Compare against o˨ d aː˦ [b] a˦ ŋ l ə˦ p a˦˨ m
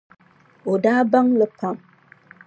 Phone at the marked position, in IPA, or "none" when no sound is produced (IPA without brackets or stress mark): b